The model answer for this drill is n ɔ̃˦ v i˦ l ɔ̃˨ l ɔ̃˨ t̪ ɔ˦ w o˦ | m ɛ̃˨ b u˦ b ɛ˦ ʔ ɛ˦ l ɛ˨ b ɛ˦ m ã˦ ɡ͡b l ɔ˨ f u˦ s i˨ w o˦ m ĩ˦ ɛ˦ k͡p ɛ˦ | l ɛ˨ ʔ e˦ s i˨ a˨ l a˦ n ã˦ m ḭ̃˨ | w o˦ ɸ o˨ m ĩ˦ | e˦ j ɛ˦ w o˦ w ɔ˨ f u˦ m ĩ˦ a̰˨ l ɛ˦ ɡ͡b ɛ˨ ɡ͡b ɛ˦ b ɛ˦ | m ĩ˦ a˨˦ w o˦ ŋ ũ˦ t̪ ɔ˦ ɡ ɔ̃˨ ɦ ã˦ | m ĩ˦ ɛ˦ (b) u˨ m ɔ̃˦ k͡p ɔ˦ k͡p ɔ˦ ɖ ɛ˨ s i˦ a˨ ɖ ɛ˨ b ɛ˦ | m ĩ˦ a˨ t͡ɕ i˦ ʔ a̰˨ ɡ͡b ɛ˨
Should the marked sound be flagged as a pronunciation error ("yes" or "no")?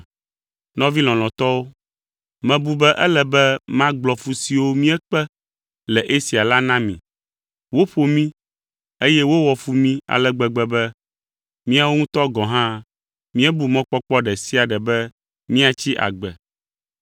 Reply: no